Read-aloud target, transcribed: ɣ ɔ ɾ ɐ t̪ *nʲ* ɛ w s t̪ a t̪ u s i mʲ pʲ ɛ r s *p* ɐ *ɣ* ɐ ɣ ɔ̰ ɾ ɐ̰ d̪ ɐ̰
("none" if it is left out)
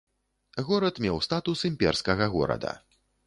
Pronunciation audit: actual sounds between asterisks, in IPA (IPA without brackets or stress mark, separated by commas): mʲ, k, ɣ